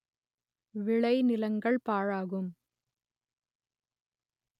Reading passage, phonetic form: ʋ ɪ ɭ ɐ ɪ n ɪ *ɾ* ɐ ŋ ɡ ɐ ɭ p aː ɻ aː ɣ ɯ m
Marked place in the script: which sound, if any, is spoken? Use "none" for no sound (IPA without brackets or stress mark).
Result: l